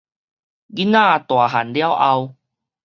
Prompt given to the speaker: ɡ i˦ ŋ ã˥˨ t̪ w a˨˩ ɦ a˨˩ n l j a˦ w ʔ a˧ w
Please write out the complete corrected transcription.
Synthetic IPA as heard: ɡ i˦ n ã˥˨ t̪ w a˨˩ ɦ a˨˩ n l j a˦ w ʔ a˧ w